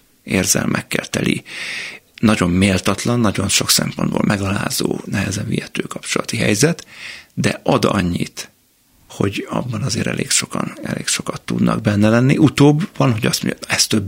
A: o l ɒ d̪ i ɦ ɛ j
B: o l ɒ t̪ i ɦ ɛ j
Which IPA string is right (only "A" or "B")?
B